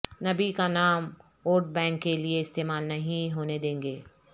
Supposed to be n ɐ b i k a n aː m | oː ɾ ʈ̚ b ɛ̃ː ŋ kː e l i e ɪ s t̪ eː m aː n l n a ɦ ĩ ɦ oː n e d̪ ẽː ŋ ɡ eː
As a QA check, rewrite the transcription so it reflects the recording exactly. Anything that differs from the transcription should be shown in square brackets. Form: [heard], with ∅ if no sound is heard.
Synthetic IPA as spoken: n ɐ b i k a n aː m | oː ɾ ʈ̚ b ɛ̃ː ŋ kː e l i e ɪ s t̪ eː m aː [∅] l n [ɐ] ɦ ĩ ɦ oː n e d̪ ẽː ŋ ɡ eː